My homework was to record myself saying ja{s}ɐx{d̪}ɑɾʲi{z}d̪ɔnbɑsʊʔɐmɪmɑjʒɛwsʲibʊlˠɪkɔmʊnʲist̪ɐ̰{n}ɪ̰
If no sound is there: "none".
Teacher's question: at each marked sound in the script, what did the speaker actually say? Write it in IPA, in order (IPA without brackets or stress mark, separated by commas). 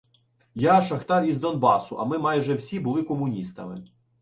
ʃ, t̪, z, m